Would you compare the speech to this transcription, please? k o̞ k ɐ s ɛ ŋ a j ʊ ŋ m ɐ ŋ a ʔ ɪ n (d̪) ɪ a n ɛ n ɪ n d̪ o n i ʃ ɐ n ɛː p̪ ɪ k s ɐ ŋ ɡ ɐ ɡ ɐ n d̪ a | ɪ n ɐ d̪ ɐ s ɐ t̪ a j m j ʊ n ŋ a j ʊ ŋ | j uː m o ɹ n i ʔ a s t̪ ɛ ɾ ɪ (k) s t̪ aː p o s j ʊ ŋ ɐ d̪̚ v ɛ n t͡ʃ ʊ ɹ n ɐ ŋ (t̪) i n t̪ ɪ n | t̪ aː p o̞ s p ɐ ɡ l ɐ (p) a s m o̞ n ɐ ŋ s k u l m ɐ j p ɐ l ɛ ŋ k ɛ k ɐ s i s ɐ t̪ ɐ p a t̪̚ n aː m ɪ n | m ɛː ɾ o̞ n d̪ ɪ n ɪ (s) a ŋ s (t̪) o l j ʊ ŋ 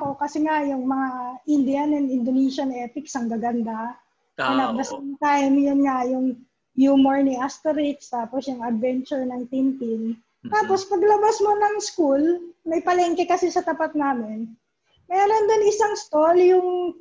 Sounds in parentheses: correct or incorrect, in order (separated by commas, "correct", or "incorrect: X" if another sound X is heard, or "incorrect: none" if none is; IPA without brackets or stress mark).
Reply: correct, correct, correct, incorrect: b, correct, correct